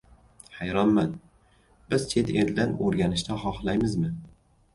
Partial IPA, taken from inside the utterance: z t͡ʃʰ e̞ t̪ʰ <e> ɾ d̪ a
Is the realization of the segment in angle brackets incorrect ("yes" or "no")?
no